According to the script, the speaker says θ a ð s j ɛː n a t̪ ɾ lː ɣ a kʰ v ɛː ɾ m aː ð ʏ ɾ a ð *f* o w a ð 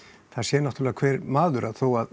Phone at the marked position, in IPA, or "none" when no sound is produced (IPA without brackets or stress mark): θ